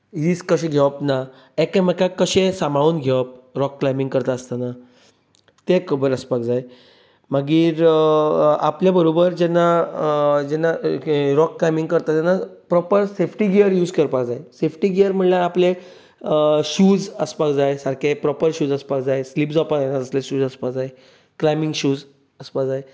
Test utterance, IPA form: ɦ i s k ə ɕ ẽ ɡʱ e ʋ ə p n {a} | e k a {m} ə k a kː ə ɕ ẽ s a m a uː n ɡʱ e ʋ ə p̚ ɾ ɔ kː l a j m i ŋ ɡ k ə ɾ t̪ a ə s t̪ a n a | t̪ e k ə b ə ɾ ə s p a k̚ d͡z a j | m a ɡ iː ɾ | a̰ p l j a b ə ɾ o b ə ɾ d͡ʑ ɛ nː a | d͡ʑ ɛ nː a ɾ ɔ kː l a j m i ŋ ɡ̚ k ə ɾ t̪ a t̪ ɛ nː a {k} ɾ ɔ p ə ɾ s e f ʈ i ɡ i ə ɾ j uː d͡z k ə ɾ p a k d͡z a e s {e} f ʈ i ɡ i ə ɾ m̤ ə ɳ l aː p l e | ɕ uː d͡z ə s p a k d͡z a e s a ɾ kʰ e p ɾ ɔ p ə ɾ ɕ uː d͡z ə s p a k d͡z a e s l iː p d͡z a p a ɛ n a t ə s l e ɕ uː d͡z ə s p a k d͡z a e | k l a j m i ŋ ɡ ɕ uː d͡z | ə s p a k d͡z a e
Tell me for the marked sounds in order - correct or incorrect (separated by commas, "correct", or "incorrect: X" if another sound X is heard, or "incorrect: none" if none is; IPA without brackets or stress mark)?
correct, correct, incorrect: p, correct